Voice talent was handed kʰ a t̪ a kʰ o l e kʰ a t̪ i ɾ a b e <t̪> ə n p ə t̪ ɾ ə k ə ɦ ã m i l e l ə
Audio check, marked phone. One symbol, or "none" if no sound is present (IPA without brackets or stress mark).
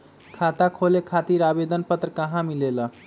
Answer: d̪